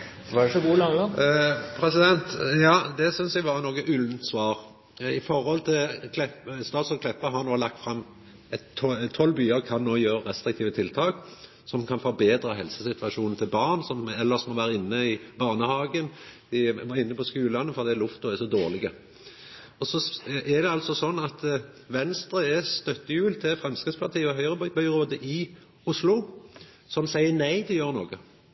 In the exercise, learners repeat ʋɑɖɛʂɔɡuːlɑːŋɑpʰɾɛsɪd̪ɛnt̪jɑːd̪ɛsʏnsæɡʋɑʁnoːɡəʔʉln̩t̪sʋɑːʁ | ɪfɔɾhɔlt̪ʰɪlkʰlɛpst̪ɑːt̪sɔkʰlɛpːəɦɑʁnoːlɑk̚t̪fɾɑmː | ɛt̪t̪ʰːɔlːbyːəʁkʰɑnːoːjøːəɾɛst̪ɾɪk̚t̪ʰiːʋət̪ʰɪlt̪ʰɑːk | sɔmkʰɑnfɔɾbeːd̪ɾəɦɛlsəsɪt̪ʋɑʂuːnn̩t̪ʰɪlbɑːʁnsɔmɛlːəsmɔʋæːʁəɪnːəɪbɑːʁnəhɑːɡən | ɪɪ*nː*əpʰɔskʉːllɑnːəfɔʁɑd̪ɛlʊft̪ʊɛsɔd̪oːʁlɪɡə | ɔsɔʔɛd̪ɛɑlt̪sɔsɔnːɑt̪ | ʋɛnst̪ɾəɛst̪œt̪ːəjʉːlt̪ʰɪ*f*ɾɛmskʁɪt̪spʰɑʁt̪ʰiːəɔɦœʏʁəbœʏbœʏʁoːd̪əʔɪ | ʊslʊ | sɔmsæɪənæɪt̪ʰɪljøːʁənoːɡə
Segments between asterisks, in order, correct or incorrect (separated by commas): correct, correct